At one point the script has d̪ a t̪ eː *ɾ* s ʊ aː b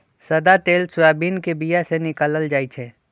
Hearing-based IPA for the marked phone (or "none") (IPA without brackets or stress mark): l